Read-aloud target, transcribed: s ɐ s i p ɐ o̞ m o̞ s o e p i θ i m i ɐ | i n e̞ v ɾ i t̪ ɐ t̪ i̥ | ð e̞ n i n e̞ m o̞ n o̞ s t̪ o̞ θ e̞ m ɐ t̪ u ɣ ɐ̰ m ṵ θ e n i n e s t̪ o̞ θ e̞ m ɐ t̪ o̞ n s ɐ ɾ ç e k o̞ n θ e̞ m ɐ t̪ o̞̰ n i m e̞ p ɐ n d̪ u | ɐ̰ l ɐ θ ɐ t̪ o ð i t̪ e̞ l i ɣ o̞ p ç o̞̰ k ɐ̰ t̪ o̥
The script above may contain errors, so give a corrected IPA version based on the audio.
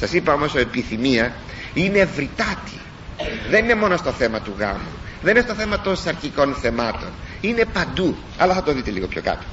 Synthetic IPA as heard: s ɐ s i p ɐ o̞ m o̞ s o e p i θ i m i ɐ | i n e̞ v ɾ i t̪ ɐ t̪ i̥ | ð e̞ n i n e̞ m o̞ n o̞ s t̪ o̞ θ e̞ m ɐ t̪ u ɣ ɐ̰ m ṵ ð e n i n e s t̪ o̞ θ e̞ m ɐ t̪ o̞ n s ɐ ɾ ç i k o̞ n θ e̞ m ɐ t̪ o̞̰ n i n e̞ p ɐ n d̪ u | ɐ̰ l ɐ θ ɐ t̪ o ð i t̪ e̞ l i ɣ o̞ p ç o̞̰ k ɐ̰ t̪ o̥